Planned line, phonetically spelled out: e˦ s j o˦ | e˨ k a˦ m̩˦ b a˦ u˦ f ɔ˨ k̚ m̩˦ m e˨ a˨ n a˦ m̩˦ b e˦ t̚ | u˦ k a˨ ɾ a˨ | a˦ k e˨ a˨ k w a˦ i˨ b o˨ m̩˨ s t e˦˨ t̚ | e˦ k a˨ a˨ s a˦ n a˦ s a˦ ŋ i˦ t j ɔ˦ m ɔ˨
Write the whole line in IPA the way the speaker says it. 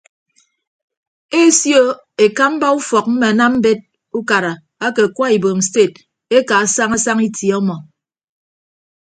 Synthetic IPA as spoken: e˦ s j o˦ | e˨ k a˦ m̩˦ b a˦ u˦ f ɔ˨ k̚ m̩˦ m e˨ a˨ n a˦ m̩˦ b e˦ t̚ | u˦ k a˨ ɾ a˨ | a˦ k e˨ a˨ k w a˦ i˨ b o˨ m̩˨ s t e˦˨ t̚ | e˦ k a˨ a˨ s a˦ ŋ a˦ s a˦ ŋ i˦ t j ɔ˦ m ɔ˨